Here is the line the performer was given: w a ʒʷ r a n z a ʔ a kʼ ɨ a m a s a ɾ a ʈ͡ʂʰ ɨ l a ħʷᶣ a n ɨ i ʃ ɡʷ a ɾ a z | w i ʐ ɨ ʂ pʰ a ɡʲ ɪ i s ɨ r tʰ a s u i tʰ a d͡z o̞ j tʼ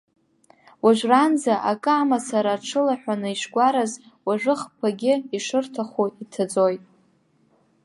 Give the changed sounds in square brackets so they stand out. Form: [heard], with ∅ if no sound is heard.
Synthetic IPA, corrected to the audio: w a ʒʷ r a n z a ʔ a kʼ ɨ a m a s a ɾ a ʈ͡ʂʰ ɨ l a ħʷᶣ a n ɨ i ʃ ɡʷ a ɾ a z | w [a] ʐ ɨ [χ] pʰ a ɡʲ ɪ i [ʂ] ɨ r tʰ a [χ] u i tʰ a d͡z o̞ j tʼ